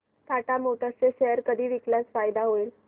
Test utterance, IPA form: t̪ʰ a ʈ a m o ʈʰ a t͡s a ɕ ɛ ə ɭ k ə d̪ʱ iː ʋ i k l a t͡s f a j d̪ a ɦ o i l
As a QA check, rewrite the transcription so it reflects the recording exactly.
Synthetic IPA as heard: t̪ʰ a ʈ a m o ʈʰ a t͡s e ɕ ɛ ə ɾ k ə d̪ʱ iː ʋ i k l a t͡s f a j d̪ a ɦ o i l

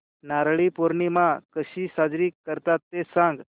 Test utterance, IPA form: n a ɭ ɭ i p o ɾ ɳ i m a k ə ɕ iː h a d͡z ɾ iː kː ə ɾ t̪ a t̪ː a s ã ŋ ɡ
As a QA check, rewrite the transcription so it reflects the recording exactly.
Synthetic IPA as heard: n a ɾ ɭ i p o ɾ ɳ i m a k ə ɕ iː s a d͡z ɾ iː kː ə ɾ t̪ a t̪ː e s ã ŋ ɡ

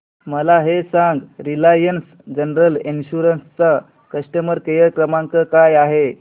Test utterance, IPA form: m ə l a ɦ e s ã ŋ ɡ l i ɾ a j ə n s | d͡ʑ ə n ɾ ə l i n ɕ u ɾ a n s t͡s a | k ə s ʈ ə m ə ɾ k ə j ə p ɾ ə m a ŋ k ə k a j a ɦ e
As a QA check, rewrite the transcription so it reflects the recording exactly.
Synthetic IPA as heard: m ə l a ɦ e s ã ŋ ɡ ɾ i l a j ə n s | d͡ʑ ə n ɾ ə l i n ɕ u ɾ ə n s t͡s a | k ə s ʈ ə m ə ɾ k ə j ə k ɾ ə m a ŋ k ə k a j a ɦ e

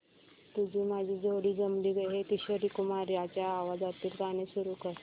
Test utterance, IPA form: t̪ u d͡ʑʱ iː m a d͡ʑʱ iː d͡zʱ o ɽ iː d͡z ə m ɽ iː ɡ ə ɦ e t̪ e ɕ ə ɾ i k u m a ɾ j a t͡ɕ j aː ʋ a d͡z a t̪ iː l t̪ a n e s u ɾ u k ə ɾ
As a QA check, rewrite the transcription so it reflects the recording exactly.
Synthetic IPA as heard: t̪ u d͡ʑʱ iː m a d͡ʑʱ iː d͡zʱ o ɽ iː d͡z ə m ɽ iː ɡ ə ɦ e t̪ i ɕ ə ɾ i k u m a ɾ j a t͡ɕ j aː ʋ a d͡z a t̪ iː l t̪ a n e s u ɾ u k ə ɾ

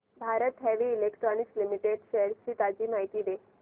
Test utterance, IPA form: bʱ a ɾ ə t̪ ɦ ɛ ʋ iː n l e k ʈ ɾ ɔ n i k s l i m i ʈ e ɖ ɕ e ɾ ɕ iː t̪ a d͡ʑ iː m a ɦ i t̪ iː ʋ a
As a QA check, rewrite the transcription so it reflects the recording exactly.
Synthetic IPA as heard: bʱ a ɾ ə t̪ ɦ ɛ ʋ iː l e k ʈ ɾ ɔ n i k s l i m i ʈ e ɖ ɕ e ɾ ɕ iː t̪ a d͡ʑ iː m a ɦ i t̪ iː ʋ e

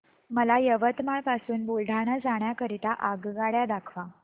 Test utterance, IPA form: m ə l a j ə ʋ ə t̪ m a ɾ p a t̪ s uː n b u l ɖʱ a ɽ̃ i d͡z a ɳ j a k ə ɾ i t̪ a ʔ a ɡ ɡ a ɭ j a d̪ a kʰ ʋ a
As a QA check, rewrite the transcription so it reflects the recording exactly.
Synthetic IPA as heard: m ə l a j ə ʋ ə t̪ m a ɭ p a s uː n b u l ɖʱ a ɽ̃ a d͡z a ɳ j a k ə ɾ i t̪ a ʔ a ɡ ɡ a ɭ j a d̪ a kʰ ʋ a

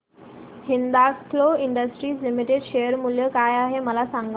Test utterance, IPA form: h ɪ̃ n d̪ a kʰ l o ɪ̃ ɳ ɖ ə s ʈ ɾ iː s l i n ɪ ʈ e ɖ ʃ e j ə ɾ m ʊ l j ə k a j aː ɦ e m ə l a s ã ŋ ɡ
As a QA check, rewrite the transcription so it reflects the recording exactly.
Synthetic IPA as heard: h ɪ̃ n d̪ a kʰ l o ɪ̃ ɳ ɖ ə s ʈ ɾ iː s l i m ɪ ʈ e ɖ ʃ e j ə ɾ m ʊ l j ə k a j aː ɦ e m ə l a s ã ŋ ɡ

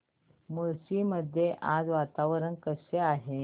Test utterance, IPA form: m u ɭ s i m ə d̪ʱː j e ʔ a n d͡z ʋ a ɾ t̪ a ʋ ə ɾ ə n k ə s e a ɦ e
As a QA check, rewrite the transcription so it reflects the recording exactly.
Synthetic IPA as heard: m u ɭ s i m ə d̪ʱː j e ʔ a d͡z ʋ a t̪ a ʋ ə ɾ ə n k ə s e a ɦ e

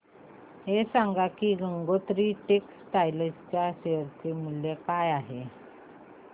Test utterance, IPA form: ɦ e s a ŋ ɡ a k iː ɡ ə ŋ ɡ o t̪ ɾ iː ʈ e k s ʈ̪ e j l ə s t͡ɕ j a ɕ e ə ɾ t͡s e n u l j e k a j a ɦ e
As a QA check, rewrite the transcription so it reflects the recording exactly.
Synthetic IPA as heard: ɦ e s a ŋ ɡ a k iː ɡ ə ŋ ɡ o t̪ ɾ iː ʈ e k s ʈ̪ a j l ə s t͡ɕ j a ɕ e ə ɾ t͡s e m u l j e k a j a ɦ e

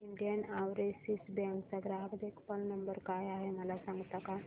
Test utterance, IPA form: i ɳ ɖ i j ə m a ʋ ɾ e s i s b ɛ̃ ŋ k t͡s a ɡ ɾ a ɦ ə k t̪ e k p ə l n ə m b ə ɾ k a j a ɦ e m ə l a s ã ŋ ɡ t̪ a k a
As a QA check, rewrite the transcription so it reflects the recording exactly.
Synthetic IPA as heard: i ɳ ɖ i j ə n a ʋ ɾ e s i s b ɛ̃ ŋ k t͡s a ɡ ɾ a ɦ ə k d̪ e k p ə l n ə m b ə ɾ k a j a ɦ e m ə l a s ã ŋ ɡ t̪ a k a

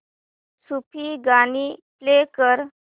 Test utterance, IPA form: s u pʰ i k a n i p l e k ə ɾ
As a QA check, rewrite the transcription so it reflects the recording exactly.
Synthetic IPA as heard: s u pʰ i ɡ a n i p l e k ə ɾ

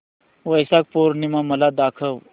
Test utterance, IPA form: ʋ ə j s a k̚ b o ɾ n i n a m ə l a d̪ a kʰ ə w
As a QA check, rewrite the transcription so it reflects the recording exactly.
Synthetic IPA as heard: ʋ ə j s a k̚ p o ɾ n i m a m ə l a d̪ a kʰ ə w

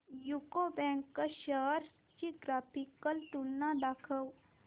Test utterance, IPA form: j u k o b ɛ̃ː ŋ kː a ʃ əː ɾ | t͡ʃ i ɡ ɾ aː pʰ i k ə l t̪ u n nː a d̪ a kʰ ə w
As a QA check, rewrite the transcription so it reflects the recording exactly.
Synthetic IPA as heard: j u k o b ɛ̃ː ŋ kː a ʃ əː ɾ | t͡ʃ i ɡ ɾ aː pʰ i k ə l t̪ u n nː a d̪ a kʰ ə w

